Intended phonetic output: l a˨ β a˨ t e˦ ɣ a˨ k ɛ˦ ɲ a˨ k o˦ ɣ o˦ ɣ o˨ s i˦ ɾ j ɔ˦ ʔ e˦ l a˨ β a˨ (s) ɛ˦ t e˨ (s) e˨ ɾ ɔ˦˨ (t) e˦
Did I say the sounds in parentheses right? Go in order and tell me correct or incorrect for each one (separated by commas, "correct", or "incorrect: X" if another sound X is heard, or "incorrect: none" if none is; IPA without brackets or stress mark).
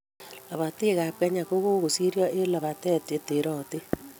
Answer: incorrect: t, incorrect: t, correct